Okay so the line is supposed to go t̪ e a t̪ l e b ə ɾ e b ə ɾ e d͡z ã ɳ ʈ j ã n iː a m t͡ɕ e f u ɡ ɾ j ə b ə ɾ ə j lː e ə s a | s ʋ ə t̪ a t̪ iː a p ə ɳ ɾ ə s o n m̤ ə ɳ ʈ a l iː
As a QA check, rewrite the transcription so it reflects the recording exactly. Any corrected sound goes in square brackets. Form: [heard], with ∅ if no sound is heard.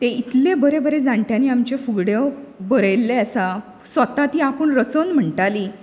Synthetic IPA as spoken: t̪ e [i] t̪ l e b ə ɾ e b ə ɾ e d͡z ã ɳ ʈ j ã n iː a m t͡ɕ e f u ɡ [ɽ] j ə b ə ɾ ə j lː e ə s a | s ʋ ə t̪ a t̪ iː a p ə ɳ ɾ ə [t͡s] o n m̤ ə ɳ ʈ a l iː